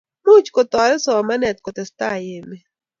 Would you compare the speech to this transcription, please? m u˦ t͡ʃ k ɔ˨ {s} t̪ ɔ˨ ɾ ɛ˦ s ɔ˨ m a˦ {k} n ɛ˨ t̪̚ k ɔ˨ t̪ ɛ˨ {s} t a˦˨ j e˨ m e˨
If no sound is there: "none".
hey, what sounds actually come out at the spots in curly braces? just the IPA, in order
none, none, s

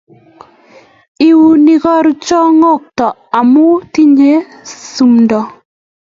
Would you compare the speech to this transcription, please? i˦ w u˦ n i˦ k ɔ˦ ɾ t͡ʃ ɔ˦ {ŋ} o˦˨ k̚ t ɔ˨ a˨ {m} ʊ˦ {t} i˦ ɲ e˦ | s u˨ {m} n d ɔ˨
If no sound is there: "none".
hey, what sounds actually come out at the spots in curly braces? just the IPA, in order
ŋ, m, t, m

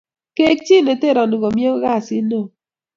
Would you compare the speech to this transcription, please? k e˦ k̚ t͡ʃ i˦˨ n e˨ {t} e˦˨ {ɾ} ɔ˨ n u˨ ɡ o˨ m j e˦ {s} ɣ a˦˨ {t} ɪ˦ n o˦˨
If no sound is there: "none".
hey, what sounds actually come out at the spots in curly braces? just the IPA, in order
t, ɾ, none, s

